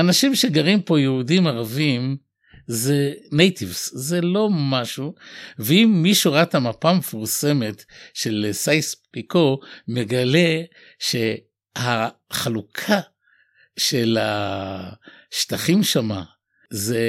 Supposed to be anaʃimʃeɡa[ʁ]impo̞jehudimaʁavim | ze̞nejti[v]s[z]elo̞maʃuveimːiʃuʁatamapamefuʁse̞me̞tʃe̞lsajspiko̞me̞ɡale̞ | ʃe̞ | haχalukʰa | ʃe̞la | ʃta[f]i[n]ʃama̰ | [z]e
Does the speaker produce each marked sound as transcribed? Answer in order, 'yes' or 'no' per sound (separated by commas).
yes, yes, yes, no, no, yes